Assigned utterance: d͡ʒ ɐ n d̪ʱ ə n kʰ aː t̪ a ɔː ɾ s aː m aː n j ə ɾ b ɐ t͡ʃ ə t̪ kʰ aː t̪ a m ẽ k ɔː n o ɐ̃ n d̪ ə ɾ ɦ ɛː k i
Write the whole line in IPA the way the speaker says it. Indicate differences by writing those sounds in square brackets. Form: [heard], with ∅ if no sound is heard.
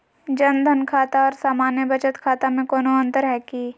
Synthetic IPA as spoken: d͡ʒ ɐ n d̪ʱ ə n kʰ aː t̪ a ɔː ɾ s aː m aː n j ə [∅] b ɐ t͡ʃ ə t̪ kʰ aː t̪ a m ẽ k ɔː n o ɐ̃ n [t̪] ə ɾ ɦ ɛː k i